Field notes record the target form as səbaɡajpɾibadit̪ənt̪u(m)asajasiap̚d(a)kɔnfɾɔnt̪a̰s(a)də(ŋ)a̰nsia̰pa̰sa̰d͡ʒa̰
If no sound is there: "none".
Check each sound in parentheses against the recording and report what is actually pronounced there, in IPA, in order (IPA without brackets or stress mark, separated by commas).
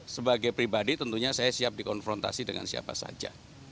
ɲ, i, i, ŋ